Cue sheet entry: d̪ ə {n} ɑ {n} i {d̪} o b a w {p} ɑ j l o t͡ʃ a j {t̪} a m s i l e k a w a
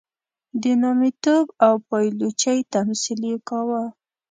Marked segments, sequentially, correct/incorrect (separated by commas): correct, incorrect, incorrect, correct, correct